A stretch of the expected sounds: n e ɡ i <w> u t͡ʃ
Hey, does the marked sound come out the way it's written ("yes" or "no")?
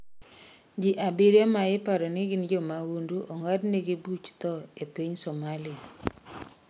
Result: no